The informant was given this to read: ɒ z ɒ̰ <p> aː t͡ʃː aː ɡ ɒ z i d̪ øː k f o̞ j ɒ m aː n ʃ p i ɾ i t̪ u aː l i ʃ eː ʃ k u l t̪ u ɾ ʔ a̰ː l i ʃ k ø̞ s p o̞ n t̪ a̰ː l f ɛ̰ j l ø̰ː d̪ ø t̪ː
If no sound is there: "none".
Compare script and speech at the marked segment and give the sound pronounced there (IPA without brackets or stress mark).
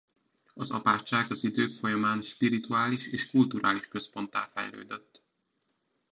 p